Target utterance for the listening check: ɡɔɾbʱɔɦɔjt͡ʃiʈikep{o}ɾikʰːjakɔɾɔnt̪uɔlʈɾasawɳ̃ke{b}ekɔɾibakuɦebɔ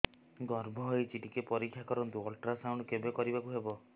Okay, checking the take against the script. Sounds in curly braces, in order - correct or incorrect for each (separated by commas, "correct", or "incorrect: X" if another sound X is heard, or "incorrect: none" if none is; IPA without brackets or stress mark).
incorrect: ɔ, correct